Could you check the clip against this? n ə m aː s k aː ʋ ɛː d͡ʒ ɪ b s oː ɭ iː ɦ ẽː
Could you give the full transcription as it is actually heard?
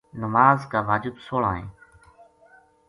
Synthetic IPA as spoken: n ə m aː z k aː ʋ aː d͡ʒ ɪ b s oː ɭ aː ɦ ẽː